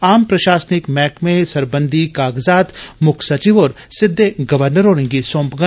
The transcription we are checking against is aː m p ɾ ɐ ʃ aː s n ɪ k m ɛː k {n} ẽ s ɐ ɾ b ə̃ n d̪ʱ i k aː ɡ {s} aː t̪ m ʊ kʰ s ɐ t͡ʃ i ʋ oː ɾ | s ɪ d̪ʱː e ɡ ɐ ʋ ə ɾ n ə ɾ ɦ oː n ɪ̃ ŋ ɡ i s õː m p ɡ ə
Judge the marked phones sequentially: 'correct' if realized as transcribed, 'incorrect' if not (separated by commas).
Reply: incorrect, incorrect